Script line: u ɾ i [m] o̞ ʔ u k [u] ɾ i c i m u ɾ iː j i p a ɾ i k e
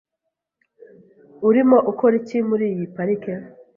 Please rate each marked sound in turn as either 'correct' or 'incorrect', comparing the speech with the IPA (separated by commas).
correct, incorrect